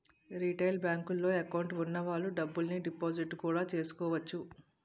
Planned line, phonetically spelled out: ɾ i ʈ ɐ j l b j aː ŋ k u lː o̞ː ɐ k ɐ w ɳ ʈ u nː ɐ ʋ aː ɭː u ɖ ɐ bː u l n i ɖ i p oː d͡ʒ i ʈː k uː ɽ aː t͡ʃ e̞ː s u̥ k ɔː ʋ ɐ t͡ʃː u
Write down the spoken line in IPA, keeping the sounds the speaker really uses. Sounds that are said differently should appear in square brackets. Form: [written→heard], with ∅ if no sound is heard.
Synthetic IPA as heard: ɾ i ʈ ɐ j l b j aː ŋ k u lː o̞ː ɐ k ɐ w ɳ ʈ u nː ɐ ʋ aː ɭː u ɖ ɐ bː u l n i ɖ i p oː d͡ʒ i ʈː k uː ɽ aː t͡ʃ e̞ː s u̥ k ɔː ʋ ɐ t͡ʃː u